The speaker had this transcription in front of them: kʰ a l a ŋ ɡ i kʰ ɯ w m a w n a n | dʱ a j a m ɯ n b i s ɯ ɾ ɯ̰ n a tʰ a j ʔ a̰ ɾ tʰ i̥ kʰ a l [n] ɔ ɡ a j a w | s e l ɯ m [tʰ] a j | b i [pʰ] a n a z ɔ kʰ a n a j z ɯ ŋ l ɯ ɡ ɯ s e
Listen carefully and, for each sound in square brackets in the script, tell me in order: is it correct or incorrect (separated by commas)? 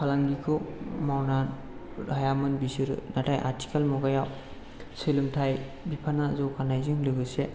incorrect, correct, correct